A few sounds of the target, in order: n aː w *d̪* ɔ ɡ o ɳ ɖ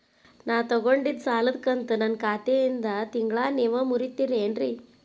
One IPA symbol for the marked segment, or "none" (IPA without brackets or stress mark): t̪